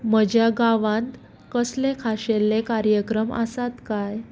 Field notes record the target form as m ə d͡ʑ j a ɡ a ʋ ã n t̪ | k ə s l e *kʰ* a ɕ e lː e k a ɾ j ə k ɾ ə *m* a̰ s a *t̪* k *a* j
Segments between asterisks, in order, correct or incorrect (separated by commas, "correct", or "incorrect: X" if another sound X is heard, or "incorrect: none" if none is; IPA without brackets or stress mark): correct, correct, correct, correct